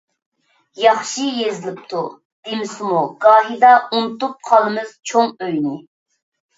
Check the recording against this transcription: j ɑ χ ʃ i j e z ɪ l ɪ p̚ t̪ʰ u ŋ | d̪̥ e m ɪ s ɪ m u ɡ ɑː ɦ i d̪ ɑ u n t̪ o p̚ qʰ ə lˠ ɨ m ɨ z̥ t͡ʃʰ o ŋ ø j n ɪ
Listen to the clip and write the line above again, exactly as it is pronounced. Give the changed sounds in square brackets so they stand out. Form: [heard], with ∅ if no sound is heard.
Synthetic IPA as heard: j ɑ χ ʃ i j e z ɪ l ɪ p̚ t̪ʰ u [∅] | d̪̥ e m ɪ s ɪ m u ɡ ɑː ɦ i d̪ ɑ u n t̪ [u] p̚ qʰ [ɑ] lˠ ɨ m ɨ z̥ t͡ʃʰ o ŋ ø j n ɪ